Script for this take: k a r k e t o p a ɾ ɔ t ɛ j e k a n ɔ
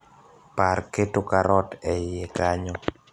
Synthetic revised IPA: p a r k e t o k a ɾ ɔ t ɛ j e k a ɲ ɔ